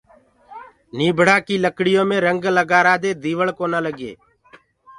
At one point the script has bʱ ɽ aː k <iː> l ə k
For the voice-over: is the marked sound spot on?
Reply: yes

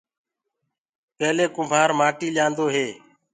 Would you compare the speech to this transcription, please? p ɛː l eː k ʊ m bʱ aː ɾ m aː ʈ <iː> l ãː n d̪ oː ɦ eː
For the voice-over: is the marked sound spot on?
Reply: yes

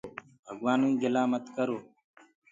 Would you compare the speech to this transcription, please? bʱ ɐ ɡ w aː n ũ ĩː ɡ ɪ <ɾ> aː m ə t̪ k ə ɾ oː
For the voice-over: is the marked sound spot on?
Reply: no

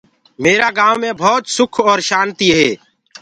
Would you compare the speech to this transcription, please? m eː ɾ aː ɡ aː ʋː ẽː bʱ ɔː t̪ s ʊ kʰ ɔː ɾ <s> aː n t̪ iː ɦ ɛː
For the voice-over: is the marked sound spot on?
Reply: no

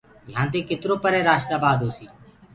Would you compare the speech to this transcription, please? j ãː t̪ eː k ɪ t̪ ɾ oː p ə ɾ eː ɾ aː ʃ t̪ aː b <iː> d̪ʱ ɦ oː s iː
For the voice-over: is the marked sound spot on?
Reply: no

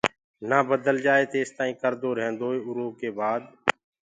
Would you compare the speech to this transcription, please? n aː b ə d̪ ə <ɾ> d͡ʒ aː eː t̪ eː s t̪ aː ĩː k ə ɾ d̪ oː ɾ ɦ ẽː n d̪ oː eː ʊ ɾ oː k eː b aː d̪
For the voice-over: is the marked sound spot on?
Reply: no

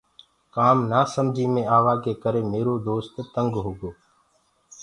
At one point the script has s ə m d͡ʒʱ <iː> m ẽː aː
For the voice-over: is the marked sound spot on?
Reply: yes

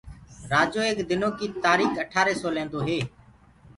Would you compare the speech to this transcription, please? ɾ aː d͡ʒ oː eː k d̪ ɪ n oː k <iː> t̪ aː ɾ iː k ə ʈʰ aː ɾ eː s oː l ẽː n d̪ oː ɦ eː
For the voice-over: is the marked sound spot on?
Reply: yes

